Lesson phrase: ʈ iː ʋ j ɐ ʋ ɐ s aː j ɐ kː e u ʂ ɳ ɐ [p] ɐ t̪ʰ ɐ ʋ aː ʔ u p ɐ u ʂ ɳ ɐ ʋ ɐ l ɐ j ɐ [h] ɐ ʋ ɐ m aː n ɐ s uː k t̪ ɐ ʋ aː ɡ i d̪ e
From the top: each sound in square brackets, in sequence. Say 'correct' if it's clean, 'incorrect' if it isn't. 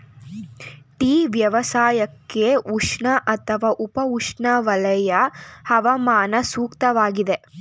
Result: incorrect, correct

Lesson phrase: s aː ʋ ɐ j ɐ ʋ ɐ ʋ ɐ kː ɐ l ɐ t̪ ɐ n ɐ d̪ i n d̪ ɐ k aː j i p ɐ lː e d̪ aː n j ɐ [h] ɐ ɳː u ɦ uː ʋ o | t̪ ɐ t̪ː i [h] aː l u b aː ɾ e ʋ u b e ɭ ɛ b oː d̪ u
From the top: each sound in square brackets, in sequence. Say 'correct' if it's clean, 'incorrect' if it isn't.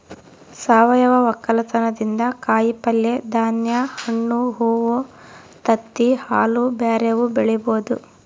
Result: correct, correct

